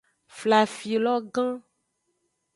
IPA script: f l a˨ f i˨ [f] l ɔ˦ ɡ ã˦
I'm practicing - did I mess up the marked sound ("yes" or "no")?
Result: yes